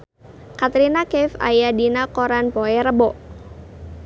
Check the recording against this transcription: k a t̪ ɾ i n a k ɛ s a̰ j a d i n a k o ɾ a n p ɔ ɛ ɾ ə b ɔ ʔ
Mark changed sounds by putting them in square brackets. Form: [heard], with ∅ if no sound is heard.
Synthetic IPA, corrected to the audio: k a t̪ ɾ i n a k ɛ [f] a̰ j a d i n a k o ɾ a n p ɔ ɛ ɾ ə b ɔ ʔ